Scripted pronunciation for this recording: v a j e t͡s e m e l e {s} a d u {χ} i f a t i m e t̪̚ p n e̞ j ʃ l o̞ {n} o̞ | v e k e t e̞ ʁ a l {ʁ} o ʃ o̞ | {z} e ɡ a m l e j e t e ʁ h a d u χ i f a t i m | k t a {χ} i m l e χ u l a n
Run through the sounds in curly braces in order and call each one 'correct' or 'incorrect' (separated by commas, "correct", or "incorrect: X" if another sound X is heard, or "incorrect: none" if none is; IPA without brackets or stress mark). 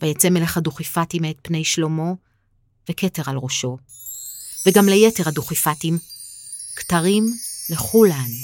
incorrect: χ, correct, incorrect: m, correct, incorrect: v, incorrect: ʁ